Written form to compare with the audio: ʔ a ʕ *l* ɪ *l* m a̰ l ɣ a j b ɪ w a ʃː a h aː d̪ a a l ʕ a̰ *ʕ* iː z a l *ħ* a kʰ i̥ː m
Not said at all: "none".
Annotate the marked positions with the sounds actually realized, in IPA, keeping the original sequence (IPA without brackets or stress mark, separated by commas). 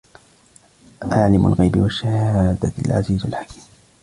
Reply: l, none, z, ħ